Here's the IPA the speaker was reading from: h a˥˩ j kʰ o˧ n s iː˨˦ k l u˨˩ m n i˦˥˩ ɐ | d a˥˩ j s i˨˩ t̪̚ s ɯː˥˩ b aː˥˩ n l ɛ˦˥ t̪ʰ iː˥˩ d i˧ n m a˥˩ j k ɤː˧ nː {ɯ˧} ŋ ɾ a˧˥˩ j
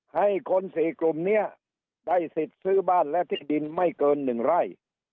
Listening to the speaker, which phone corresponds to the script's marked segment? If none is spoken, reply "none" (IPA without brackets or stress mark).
ɯ˨˩